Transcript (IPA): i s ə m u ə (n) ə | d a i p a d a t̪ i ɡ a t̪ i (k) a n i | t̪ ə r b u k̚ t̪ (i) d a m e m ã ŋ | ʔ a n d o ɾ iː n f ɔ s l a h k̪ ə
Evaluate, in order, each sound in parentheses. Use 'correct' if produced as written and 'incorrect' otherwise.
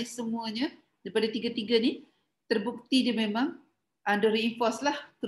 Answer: incorrect, incorrect, correct

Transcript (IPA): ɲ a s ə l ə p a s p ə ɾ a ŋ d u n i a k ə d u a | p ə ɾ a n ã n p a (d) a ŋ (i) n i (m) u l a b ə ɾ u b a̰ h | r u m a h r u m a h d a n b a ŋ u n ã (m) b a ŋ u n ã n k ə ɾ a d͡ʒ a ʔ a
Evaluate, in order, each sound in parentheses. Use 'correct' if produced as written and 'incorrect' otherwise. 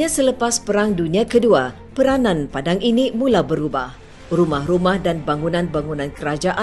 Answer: correct, correct, correct, incorrect

